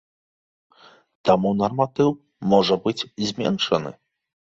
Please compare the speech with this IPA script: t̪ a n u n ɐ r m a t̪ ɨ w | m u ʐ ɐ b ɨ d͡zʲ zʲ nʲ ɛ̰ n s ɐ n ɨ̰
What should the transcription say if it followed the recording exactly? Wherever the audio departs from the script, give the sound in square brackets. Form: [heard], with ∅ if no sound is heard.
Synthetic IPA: t̪ a [m] u n ɐ r m a t̪ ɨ w | m [ɔ] ʐ ɐ b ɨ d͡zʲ zʲ [mʲ] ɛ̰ n [ʂ] ɐ n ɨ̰